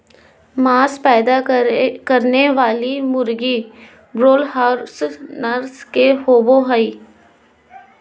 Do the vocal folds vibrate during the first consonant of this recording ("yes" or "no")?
yes